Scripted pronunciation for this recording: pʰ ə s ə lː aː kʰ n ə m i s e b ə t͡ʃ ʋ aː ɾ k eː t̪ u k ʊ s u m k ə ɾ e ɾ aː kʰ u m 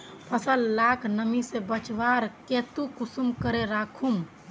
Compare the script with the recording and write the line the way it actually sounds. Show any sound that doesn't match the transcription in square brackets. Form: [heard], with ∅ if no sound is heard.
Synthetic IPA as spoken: pʰ ə s ə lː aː kʰ n ə m i s e b ə t͡ʃ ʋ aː ɾ k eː t̪ u k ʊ s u m k ə ɾ e ɾ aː kʰ u m

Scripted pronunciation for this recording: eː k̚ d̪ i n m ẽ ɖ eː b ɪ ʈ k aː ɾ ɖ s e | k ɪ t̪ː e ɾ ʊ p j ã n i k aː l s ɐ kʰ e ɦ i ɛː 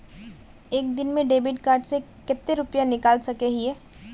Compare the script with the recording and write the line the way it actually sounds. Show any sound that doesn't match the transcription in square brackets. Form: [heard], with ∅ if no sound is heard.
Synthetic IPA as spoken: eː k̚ d̪ [ɪ] n m ẽ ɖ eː b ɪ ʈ k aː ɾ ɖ s e | k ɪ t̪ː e ɾ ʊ p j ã n [ɪ] k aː l s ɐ [k] e ɦ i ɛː

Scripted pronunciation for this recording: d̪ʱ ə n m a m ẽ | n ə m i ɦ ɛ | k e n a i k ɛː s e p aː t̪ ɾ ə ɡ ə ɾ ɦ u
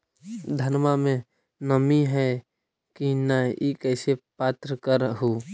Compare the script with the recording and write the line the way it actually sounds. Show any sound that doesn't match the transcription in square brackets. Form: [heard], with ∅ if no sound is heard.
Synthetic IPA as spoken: d̪ʱ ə n m a m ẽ | n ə m i ɦ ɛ | k [i] n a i k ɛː s e p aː t̪ ɾ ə [k] ə ɾ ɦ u

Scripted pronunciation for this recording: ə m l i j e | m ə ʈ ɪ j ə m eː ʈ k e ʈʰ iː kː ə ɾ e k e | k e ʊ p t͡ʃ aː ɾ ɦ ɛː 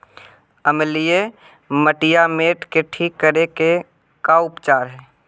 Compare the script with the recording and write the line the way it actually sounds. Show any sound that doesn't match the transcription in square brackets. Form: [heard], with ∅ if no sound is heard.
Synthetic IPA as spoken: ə m l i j e | m ə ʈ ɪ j [a] m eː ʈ k e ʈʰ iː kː ə ɾ e k e | k [a] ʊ p t͡ʃ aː ɾ ɦ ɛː

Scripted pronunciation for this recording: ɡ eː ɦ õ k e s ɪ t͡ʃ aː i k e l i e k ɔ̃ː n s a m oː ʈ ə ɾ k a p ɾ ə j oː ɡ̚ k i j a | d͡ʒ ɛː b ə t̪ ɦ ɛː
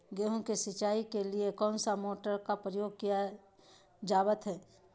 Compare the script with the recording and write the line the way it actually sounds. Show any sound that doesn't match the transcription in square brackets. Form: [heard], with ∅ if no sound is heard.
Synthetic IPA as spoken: ɡ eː ɦ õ k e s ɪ t͡ʃ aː i k e l i e k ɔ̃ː n s a m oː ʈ ə ɾ k a p ɾ ə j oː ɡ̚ k i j a | d͡ʒ [aː] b ə t̪ ɦ ɛː

